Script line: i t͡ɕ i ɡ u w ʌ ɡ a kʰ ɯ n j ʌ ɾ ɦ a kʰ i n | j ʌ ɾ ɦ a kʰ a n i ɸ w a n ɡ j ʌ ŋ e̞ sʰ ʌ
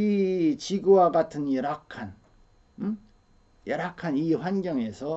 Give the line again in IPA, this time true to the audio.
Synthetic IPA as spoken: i t͡ɕ i ɡ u w a ɡ a tʰ ɯ n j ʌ ɾ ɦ a kʰ a n | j ʌ ɾ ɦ a kʰ a n i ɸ w a n ɡ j ʌ ŋ e̞ sʰ ʌ